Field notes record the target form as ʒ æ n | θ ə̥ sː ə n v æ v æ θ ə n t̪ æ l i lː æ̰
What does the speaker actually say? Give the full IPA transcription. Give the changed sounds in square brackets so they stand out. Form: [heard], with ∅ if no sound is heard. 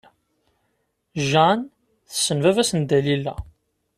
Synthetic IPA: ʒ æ n | θ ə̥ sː ə n v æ v æ [s] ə n [d̪] æ l i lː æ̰